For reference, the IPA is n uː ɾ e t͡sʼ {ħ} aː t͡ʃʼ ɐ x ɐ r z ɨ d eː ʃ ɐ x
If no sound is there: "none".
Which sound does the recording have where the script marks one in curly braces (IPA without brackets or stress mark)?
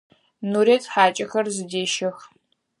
ħ